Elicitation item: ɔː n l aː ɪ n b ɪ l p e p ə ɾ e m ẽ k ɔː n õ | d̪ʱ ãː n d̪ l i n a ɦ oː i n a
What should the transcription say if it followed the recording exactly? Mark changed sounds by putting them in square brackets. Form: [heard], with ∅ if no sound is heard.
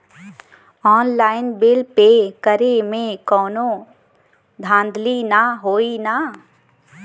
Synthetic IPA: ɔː n l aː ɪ n b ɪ l p e [k] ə ɾ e m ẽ k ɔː n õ | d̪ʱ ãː n d̪ l i n a ɦ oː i n a

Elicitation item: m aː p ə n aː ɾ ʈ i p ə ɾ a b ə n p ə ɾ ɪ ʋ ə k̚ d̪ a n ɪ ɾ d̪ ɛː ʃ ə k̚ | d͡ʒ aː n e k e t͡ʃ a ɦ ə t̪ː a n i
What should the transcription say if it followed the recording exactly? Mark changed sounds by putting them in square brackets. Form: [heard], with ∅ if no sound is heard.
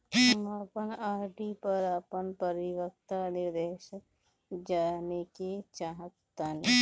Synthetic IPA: m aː p ə n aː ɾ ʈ i p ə ɾ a [p] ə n p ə ɾ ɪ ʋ ə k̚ [t̪] a n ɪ ɾ d̪ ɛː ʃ ə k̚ | d͡ʒ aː n e k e t͡ʃ a ɦ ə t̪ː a n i

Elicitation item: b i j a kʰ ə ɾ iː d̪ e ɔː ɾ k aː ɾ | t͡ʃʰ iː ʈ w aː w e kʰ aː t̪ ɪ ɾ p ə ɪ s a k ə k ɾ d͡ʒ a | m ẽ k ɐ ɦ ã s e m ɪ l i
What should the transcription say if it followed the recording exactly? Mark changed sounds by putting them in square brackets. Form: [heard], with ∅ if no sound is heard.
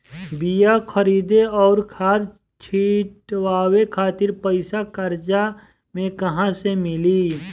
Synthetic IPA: b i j a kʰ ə ɾ iː d̪ e ɔː ɾ [kʰ] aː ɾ | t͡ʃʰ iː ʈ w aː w e kʰ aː t̪ ɪ ɾ p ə ɪ s a k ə [∅] ɾ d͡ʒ a | m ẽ k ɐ ɦ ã s e m ɪ l i

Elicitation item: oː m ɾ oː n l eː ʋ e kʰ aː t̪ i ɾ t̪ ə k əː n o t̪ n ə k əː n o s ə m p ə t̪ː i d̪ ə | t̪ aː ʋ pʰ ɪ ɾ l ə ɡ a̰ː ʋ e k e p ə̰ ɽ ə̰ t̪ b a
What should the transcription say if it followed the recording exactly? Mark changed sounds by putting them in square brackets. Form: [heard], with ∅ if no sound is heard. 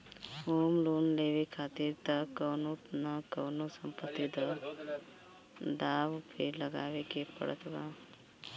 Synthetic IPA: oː m [l] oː n l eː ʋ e kʰ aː t̪ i ɾ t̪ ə k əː n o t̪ n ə k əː n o s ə m p ə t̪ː i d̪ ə | [d̪] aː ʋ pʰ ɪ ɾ l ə ɡ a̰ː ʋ e k e p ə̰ ɽ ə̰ t̪ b a

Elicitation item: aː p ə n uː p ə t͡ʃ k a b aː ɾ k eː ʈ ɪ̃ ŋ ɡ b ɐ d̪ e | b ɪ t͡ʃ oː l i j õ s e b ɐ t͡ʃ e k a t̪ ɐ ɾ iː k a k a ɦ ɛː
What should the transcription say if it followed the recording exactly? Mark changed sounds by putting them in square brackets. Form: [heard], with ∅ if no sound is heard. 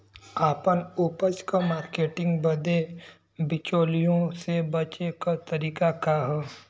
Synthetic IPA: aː p ə n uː p ə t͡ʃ k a [m] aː ɾ k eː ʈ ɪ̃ ŋ ɡ b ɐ d̪ e | b ɪ t͡ʃ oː l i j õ s e b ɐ t͡ʃ e k a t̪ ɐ ɾ iː k a k a ɦ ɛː

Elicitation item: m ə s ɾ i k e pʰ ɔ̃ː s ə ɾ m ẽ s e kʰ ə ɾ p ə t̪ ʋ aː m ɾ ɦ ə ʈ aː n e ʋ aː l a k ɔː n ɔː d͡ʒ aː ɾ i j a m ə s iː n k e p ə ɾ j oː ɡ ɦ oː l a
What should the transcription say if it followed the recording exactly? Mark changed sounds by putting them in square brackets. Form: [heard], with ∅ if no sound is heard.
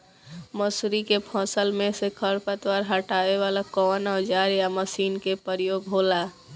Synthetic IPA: m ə s ɾ i k e pʰ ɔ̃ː s ə [l] m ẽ s e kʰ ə ɾ p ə t̪ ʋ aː [∅] ɾ ɦ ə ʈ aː [∅] e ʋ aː l a k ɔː n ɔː d͡ʒ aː ɾ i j a m ə s iː n k e p ə ɾ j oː ɡ ɦ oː l a

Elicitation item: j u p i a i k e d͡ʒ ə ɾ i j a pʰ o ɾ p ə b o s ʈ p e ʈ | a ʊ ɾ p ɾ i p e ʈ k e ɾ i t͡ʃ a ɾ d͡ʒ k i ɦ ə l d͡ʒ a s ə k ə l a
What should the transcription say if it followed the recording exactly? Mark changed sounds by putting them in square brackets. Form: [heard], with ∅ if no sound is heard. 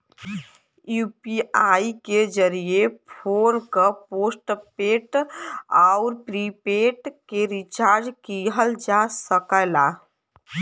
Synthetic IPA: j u p i a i k e d͡ʒ ə ɾ i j [e] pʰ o ɾ [k] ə [p] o s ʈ p e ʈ | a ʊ ɾ p ɾ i p e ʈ k e ɾ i t͡ʃ a ɾ d͡ʒ k i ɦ ə l d͡ʒ a s ə k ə l a

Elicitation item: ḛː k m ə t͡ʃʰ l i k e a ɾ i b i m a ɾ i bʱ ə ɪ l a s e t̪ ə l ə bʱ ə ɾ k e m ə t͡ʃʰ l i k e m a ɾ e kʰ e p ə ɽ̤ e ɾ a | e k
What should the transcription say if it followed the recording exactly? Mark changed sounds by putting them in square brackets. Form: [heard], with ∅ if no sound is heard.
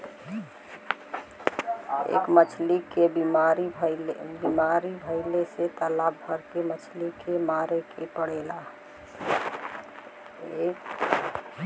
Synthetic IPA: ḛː k m ə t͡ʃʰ l i k e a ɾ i b i m a ɾ i bʱ ə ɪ l [e] s e t̪ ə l [a] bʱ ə ɾ k e m ə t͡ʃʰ l i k e m a ɾ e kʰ e p ə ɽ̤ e [l] a | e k

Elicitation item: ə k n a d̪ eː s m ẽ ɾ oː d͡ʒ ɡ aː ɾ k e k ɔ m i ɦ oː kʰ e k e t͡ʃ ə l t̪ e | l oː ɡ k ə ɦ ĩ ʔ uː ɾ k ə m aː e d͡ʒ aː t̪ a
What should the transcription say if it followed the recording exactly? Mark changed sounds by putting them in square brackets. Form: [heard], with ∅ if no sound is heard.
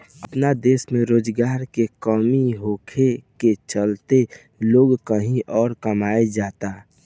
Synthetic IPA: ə [p] n a d̪ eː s m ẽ ɾ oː d͡ʒ ɡ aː ɾ k e k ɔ m i ɦ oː kʰ e k e t͡ʃ ə l t̪ e | l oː ɡ k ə ɦ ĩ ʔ [ɔː] ɾ k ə m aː e d͡ʒ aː t̪ a

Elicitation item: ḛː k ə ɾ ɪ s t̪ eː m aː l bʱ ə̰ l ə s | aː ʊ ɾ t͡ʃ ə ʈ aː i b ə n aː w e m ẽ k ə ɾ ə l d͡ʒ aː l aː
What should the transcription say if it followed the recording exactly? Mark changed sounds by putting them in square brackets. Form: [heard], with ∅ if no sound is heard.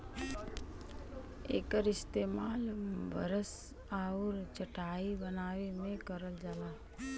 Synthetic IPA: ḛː k ə ɾ ɪ s t̪ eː m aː l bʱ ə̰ [ɾ] ə s | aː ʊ ɾ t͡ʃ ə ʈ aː i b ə n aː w e m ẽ k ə ɾ ə l d͡ʒ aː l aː

